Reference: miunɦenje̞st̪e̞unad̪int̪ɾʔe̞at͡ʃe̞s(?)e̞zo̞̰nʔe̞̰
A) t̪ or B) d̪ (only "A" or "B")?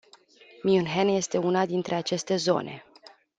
A